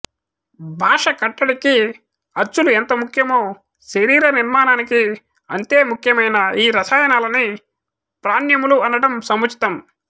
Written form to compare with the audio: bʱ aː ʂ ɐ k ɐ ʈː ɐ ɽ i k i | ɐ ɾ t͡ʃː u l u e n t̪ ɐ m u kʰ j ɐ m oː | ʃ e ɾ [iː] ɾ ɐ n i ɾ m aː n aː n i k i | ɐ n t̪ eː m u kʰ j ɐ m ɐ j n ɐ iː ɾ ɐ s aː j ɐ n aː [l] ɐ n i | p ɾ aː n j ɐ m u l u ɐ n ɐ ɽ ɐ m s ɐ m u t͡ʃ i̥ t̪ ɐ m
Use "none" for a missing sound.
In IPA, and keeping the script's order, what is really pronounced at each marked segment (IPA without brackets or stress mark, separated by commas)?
iː, l